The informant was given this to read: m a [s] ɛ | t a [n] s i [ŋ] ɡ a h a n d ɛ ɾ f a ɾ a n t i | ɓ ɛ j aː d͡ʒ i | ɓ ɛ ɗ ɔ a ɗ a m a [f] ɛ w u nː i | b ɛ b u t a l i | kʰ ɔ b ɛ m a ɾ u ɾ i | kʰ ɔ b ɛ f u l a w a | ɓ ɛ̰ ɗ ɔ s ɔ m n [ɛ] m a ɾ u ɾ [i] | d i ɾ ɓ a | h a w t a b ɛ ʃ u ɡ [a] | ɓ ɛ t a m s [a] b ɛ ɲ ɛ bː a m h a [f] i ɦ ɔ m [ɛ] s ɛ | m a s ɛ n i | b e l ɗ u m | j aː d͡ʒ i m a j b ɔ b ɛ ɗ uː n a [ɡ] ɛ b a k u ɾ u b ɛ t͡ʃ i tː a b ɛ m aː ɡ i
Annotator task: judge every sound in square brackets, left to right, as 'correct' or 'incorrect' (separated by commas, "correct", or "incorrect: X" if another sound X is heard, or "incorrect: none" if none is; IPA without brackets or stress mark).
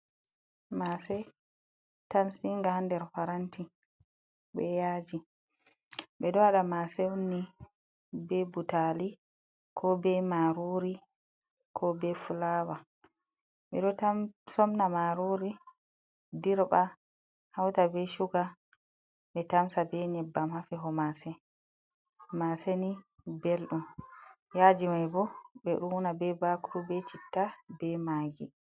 correct, incorrect: m, correct, incorrect: s, incorrect: a, correct, correct, correct, correct, incorrect: a, incorrect: b